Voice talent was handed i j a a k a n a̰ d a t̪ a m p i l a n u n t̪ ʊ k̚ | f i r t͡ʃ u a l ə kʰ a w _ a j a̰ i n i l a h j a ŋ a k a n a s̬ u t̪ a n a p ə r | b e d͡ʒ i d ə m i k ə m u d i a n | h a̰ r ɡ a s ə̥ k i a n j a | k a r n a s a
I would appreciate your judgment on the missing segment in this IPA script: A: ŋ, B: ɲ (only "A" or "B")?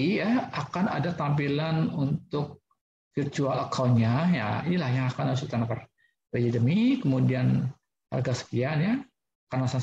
B